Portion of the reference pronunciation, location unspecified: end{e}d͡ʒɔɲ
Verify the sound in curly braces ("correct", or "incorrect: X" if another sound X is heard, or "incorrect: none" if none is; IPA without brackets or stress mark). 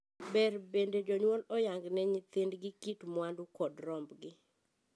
correct